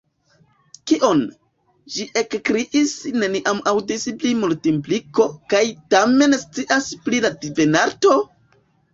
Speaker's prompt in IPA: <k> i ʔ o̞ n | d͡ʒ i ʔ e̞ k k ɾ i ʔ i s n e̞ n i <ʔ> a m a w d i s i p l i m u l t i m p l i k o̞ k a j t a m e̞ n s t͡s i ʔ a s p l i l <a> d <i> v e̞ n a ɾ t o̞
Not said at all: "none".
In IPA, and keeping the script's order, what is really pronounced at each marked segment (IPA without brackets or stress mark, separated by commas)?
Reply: k, ʔ, a, i